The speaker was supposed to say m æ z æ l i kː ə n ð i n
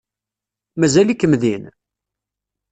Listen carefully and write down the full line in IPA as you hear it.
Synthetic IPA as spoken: m æ z æ l i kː ə m ð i n